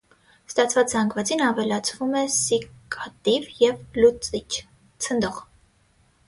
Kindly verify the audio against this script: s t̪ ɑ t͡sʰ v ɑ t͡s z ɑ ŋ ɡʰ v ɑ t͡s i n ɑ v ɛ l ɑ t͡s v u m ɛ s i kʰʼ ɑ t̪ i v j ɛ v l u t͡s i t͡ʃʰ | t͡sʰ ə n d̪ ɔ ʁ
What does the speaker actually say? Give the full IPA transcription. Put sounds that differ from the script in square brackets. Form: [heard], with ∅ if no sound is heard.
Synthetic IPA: s t̪ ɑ t͡sʰ v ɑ t͡s z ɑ ŋ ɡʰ v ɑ t͡s i n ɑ v ɛ l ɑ [t͡sʰ] v u m ɛ s i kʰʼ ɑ t̪ i v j ɛ v l u t͡s i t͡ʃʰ | t͡sʰ ə n d̪ ɔ ʁ

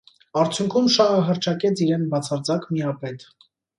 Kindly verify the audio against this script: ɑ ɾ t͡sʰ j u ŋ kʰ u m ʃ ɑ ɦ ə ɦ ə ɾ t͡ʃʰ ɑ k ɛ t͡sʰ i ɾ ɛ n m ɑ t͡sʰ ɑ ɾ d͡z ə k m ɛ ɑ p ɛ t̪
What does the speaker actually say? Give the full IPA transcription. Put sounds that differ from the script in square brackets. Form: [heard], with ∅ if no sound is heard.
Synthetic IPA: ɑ ɾ t͡sʰ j u ŋ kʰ u m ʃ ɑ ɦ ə ɦ ə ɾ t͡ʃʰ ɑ k ɛ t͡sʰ i ɾ ɛ n [b] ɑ t͡sʰ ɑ ɾ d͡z [ɑ] k m [i] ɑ p ɛ t̪

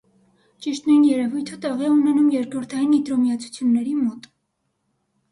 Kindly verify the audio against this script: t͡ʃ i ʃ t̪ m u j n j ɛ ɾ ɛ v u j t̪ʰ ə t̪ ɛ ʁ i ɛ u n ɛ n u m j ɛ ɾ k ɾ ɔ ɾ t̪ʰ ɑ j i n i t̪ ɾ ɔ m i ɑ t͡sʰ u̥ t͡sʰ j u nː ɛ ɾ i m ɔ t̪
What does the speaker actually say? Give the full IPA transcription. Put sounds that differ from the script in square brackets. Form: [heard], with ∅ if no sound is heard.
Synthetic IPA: t͡ʃ i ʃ t̪ [n] u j n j ɛ ɾ ɛ v u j t̪ʰ ə t̪ ɛ ʁ i ɛ u n ɛ n u m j ɛ ɾ k ɾ ɔ ɾ t̪ʰ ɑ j i n i t̪ ɾ ɔ m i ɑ t͡sʰ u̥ t͡sʰ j u nː ɛ ɾ i m ɔ t̪

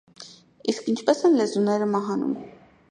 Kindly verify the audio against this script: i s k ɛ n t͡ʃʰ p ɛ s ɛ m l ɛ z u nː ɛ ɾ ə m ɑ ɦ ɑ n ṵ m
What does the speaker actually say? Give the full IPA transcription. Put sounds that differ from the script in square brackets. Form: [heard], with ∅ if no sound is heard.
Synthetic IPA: i s k [i] n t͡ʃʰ p ɛ s ɛ [n] l ɛ z u [n] ɛ ɾ ə m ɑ ɦ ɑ n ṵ m

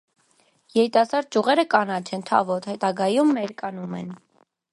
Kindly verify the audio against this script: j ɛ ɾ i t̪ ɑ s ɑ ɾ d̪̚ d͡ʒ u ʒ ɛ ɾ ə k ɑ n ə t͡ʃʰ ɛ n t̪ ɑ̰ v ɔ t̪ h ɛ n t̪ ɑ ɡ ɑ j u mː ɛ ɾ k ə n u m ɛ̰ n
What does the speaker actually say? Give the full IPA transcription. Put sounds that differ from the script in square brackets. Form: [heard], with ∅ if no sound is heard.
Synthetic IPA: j ɛ ɾ i t̪ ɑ s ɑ ɾ d̪̚ d͡ʒ u [ʁ] ɛ ɾ ə k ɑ n [ɑ] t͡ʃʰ ɛ n [t̪ʰ] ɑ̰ v ɔ t̪ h ɛ [∅] t̪ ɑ ɡ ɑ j u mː ɛ ɾ k [ɑ] n u m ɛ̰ n

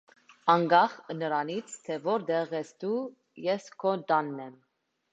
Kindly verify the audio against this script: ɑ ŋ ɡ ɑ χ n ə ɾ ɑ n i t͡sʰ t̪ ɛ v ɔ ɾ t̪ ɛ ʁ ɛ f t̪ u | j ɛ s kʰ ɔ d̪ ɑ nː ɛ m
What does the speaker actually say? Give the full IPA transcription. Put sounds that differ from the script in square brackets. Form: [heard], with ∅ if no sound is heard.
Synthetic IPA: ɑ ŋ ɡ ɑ χ n ə ɾ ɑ n i t͡sʰ [t̪ʰ] ɛ v ɔ ɾ [d̪] ɛ ʁ ɛ [s] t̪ u | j ɛ s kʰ ɔ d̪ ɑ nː ɛ m

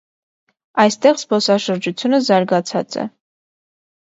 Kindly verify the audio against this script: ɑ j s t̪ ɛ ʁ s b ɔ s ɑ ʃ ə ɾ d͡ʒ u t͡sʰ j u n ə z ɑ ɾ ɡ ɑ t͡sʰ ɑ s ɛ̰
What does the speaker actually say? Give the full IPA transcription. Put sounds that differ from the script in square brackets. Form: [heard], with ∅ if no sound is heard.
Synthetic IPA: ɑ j s t̪ ɛ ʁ s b ɔ s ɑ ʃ ə ɾ d͡ʒ u t͡sʰ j u n ə z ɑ ɾ ɡ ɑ t͡sʰ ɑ [t͡s] ɛ̰

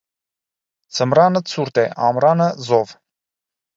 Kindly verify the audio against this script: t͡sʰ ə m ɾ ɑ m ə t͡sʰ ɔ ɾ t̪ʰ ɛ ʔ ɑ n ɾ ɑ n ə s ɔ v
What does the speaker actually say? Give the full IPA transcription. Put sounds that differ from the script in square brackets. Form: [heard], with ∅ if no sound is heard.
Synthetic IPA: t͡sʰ ə m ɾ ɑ [n] ə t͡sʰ [u] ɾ [t̪] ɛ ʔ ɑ [m] ɾ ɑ n ə [z] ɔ v

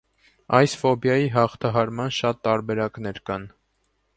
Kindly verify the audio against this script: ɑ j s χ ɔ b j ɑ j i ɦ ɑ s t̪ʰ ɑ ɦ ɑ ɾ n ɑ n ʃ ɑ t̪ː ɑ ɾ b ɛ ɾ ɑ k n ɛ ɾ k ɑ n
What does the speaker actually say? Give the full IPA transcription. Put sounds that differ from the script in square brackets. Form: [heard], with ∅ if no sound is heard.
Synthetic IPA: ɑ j s [f] ɔ b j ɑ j i ɦ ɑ [χ] t̪ʰ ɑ ɦ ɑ ɾ [m] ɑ n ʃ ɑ t̪ː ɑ ɾ b ɛ ɾ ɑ k n ɛ ɾ k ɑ n

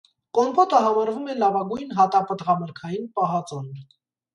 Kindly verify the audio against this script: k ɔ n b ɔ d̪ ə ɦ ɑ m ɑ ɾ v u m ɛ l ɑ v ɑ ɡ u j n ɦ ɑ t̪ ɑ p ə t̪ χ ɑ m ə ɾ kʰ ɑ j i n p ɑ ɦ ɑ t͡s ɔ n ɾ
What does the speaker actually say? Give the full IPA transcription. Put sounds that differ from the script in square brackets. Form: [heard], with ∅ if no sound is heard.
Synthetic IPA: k ɔ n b ɔ [t̪] ə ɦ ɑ m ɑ ɾ v u m ɛ l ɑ v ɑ ɡ u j n ɦ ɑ t̪ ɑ p ə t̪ [ʁ] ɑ m ə ɾ kʰ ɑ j i n p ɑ ɦ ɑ t͡s ɔ n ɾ

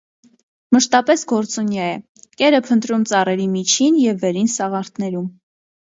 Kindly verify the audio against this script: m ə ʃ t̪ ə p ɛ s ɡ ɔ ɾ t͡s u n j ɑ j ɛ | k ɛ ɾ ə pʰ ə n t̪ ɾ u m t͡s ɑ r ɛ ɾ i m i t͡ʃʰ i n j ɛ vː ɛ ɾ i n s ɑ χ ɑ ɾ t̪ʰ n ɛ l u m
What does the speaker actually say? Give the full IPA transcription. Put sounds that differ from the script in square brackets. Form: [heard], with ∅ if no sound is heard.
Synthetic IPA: m ə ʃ t̪ [ɑ] p ɛ s ɡ ɔ ɾ t͡s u n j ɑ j ɛ | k ɛ ɾ ə pʰ ə n t̪ ɾ u m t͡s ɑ r ɛ ɾ i m i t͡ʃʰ i n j ɛ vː ɛ ɾ i n s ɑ [ʁ] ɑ ɾ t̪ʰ n ɛ [ɾ] u m

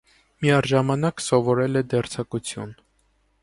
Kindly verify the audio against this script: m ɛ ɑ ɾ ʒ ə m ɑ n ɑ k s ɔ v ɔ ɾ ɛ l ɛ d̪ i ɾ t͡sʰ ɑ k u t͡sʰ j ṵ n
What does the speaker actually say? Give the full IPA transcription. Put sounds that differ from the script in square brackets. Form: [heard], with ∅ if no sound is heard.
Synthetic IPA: m [i] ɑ ɾ ʒ [ɑ] m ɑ n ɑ k s ɔ v ɔ ɾ ɛ l ɛ d̪ [ɛ] ɾ t͡sʰ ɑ k u t͡sʰ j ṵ n

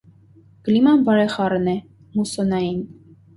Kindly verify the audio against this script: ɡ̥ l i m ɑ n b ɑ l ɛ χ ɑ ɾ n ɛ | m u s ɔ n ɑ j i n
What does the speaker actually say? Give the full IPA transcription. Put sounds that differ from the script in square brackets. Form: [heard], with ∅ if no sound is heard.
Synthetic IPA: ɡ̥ l i m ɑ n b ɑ [ɾ] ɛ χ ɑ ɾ n ɛ | m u s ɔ n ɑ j i n

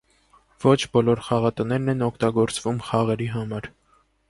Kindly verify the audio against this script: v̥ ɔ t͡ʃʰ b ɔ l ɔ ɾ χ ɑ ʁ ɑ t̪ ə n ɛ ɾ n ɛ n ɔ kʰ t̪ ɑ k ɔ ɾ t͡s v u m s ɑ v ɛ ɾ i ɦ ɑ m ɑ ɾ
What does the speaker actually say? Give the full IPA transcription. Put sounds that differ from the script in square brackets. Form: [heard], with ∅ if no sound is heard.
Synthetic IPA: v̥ ɔ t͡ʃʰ b ɔ l ɔ ɾ χ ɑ ʁ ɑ t̪ ə n ɛ ɾ n ɛ n ɔ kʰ t̪ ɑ [ɡ] ɔ ɾ t͡s v u m [χ] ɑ [ʁ] ɛ ɾ i ɦ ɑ m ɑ ɾ

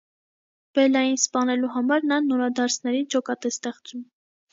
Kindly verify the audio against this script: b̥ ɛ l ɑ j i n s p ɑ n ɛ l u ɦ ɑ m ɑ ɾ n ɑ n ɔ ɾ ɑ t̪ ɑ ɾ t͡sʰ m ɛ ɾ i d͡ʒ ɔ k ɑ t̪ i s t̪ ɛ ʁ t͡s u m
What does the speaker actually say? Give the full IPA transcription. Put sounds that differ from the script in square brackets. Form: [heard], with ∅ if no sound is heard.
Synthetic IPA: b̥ ɛ l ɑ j i n s p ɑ n ɛ l u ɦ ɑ m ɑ ɾ n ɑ n ɔ ɾ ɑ [d̪] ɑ ɾ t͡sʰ [n] ɛ ɾ i d͡ʒ ɔ k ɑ t̪ [ɛ] s t̪ ɛ [χ] t͡s u m

